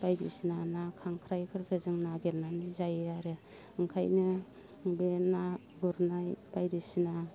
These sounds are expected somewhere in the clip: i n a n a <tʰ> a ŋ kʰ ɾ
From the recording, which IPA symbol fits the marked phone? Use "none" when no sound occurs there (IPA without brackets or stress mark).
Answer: kʰ